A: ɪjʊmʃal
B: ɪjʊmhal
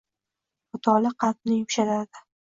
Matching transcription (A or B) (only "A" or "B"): A